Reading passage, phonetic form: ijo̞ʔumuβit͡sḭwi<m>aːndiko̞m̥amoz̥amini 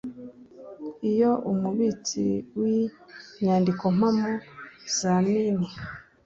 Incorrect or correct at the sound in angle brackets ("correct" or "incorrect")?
incorrect